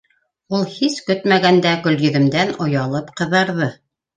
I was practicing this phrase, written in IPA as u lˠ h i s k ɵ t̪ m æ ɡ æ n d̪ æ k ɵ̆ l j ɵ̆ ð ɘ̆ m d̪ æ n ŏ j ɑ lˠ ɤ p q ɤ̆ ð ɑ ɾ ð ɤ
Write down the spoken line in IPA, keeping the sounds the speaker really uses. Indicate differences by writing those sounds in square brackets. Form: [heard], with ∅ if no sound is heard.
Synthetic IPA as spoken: u lˠ h i s k ɵ t̪ m æ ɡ æ n d̪ æ k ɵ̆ l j ɵ̆ ð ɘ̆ m d̪ æ n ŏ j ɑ lˠ ɤ p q ɤ̆ ð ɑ ɾ ð ɤ